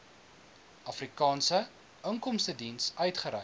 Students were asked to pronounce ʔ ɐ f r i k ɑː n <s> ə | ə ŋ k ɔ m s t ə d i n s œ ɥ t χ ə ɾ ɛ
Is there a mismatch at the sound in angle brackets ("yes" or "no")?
no